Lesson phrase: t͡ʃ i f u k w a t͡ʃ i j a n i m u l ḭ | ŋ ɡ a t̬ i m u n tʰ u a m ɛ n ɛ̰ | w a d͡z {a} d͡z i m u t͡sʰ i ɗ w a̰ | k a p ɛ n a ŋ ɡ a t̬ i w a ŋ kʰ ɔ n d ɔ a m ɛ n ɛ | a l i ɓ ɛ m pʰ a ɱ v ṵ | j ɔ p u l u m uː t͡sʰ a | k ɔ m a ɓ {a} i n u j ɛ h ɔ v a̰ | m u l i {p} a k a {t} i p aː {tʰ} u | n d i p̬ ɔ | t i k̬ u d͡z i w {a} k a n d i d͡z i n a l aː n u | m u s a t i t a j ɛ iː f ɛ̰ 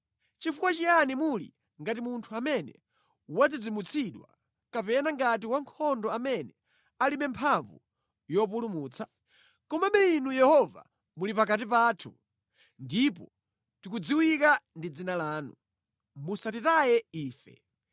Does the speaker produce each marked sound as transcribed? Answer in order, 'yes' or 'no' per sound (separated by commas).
no, no, yes, yes, yes, no